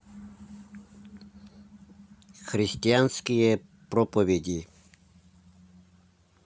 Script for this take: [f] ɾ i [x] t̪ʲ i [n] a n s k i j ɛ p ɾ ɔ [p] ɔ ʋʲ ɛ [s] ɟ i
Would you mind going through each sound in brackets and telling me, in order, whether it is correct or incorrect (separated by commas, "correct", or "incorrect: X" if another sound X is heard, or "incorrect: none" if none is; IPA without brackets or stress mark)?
incorrect: x, incorrect: s, incorrect: none, correct, incorrect: none